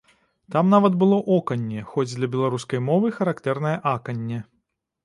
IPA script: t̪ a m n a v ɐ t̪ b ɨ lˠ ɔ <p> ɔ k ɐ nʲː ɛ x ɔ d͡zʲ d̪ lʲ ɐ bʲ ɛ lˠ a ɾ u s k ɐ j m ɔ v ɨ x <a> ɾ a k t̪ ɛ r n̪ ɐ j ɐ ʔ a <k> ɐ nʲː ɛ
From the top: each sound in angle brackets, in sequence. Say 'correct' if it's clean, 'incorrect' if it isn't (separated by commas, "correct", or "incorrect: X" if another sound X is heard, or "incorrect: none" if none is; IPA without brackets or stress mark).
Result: incorrect: ʔ, incorrect: ɐ, correct